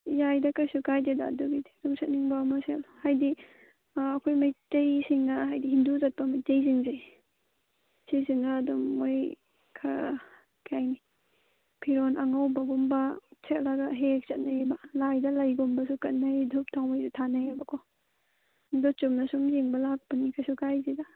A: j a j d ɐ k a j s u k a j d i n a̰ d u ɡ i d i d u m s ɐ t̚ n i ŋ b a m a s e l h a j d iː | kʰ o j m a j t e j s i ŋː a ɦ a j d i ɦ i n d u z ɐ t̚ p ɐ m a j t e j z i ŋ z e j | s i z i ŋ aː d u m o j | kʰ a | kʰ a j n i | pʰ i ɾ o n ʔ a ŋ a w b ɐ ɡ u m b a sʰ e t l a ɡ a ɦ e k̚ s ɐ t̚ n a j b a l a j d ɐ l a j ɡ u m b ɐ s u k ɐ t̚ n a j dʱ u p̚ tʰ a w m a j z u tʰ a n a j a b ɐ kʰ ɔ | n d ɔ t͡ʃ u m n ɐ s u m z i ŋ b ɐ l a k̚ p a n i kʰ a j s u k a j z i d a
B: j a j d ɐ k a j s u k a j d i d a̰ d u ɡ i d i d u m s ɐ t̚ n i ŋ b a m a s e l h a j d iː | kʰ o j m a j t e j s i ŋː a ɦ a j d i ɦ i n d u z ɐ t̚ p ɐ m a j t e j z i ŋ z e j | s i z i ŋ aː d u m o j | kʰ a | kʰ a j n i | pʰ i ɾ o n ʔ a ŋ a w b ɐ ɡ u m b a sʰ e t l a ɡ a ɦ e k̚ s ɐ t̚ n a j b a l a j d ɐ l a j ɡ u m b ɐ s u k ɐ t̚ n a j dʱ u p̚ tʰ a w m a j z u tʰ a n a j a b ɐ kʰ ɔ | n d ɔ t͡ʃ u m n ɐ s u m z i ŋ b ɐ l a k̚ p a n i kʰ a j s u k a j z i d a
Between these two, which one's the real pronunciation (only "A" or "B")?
B